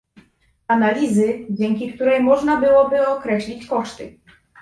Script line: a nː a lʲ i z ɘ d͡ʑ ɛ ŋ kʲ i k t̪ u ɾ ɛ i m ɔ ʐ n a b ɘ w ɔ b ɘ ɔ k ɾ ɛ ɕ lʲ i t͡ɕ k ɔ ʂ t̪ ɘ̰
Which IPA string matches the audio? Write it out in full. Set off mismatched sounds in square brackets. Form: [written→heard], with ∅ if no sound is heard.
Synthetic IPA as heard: a [nː→n] a lʲ i z ɘ d͡ʑ ɛ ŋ kʲ i k t̪ u ɾ ɛ [i→j] m ɔ ʐ n a b ɘ w ɔ b ɘ ɔ k ɾ ɛ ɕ lʲ i t͡ɕ k ɔ ʂ t̪ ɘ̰